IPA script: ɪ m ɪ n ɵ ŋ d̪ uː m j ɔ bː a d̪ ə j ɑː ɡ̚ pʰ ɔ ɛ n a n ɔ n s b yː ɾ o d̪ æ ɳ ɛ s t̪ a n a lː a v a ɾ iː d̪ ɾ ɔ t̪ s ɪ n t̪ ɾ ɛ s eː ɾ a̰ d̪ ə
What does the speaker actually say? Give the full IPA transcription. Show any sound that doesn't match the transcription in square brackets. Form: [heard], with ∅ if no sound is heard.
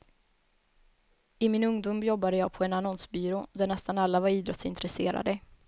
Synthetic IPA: ɪ m ɪ n ɵ ŋ d̪ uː m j ɔ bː a d̪ ə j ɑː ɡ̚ pʰ ɔ ɛ n a n ɔ n s b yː ɾ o d̪ æ ɳ ɛ s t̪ a n a lː a v a ɾ iː d̪ ɾ ɔ t̪ s ɪ n t̪ ɾ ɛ s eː ɾ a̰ d̪ ə